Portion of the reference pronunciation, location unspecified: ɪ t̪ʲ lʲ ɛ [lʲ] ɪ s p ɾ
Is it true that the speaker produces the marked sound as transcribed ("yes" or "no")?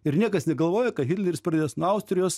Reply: no